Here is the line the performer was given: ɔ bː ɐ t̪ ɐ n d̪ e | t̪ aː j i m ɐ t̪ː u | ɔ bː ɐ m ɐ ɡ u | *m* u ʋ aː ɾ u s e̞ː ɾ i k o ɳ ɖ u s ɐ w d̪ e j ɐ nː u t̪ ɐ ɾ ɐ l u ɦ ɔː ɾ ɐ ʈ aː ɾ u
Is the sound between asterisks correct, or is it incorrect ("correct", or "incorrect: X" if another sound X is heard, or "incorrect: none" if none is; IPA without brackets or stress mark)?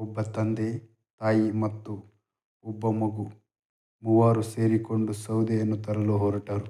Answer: correct